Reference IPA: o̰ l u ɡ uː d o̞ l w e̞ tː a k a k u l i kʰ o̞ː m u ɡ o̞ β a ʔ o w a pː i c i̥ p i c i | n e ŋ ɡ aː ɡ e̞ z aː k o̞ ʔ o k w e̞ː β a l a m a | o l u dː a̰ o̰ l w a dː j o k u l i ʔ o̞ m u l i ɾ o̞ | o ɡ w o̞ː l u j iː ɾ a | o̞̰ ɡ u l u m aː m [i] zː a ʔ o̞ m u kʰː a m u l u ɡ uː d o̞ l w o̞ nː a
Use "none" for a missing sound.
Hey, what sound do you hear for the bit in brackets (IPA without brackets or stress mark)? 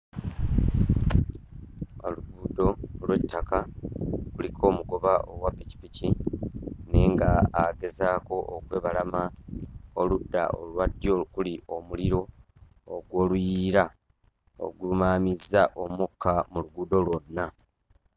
i